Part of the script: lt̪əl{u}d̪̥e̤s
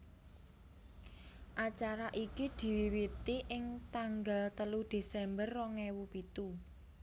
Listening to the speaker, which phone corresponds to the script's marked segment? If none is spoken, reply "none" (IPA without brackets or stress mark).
u